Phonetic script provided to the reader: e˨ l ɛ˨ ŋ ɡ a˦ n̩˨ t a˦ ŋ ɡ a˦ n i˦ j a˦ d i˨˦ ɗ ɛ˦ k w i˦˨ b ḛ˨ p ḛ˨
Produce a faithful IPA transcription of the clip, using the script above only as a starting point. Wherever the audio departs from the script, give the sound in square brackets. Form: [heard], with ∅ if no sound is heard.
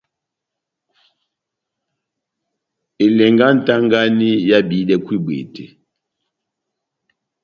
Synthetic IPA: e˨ l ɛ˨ ŋ ɡ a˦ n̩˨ t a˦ ŋ ɡ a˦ n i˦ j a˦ [b] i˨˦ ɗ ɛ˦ k w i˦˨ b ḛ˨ [t] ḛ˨